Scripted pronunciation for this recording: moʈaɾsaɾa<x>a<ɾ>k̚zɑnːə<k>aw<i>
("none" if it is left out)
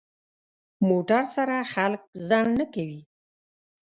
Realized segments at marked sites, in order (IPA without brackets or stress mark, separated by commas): x, l, k, i